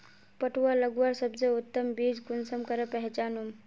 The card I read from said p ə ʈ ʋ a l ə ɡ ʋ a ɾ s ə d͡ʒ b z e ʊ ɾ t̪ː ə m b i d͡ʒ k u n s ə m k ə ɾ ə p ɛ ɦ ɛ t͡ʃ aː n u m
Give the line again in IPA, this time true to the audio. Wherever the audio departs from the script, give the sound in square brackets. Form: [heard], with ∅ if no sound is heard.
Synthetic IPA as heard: p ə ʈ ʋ a l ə ɡ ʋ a ɾ s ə [∅] b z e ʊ [∅] t̪ː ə m b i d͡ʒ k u n s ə m k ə ɾ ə p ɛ ɦ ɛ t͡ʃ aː n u m